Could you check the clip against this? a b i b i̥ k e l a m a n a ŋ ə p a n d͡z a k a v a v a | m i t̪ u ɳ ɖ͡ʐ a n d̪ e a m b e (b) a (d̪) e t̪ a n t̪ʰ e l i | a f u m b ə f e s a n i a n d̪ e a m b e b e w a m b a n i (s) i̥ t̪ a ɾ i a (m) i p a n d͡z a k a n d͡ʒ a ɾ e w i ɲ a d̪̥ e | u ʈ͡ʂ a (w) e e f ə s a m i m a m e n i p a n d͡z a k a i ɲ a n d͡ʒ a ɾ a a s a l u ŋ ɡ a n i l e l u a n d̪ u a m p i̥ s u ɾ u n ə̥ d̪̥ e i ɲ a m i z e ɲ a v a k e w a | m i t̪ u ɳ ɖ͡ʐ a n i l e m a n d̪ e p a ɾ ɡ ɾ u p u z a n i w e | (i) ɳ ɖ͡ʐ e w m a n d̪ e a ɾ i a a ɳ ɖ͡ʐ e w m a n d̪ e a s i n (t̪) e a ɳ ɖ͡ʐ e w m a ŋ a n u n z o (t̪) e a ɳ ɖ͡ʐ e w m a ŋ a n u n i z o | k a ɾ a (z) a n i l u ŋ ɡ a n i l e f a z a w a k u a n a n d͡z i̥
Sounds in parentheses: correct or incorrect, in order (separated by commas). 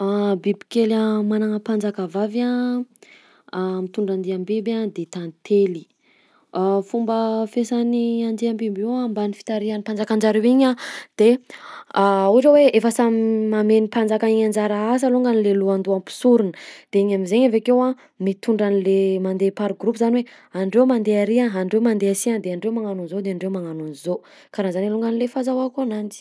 correct, correct, incorrect, incorrect, correct, incorrect, incorrect, incorrect, correct